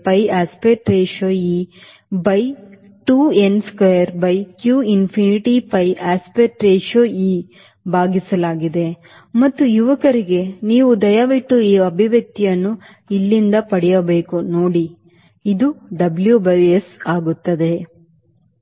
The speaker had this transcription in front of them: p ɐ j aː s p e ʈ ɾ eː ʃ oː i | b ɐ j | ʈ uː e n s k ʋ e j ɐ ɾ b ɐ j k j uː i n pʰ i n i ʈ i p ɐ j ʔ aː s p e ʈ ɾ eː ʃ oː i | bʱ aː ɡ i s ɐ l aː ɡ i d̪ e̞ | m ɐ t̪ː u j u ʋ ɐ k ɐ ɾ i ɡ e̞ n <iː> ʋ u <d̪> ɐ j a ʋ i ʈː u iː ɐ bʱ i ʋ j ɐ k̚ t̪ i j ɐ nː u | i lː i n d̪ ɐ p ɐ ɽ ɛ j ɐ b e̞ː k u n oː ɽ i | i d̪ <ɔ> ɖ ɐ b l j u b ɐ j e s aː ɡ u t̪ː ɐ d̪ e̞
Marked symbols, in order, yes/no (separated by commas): yes, yes, no